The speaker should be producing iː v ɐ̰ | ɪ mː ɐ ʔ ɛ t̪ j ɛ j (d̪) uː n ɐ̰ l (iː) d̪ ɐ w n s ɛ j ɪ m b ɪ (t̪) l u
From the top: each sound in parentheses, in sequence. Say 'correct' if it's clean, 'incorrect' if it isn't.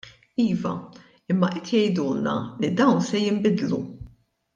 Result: correct, incorrect, incorrect

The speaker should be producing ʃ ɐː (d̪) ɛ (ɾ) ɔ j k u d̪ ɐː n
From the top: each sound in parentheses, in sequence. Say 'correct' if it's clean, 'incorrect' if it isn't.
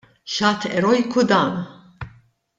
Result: incorrect, correct

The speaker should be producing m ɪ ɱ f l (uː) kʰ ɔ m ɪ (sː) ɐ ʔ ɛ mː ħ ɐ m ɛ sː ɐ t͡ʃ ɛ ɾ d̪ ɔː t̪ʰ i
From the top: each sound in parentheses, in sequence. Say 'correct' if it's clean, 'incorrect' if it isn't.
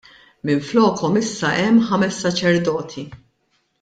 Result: incorrect, correct

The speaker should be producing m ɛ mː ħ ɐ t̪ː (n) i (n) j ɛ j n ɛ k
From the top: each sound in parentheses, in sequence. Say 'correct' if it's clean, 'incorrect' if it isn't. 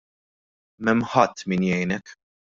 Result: incorrect, correct

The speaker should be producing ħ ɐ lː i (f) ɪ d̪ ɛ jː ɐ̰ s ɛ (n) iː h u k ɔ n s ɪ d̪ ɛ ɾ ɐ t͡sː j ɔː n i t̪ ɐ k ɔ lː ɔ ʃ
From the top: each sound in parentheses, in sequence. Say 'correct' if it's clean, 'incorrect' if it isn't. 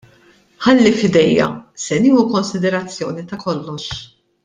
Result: correct, correct

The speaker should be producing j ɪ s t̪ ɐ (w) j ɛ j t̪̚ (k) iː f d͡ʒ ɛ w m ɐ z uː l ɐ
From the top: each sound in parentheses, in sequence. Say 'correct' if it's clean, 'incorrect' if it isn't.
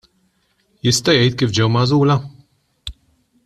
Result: incorrect, correct

